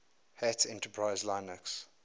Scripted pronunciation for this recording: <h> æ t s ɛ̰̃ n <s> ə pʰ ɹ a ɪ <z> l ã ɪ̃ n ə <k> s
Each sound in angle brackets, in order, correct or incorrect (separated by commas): correct, incorrect, correct, correct